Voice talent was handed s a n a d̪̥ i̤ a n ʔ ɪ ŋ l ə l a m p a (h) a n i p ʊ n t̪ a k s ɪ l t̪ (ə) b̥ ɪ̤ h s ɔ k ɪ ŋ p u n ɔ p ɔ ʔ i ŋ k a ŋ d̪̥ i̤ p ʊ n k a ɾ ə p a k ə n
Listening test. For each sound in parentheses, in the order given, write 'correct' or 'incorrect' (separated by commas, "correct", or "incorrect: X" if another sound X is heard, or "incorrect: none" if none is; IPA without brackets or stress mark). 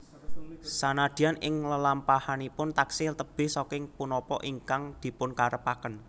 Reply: correct, correct